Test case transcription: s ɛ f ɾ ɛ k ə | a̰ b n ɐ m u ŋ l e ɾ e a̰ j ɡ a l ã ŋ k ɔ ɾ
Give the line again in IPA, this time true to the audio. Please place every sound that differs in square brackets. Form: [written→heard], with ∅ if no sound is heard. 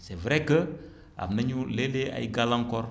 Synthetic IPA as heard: s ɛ [f→v] ɾ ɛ k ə | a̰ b n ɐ [m→ɲ] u [ŋ→∅] l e [ɾ→l] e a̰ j ɡ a l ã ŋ k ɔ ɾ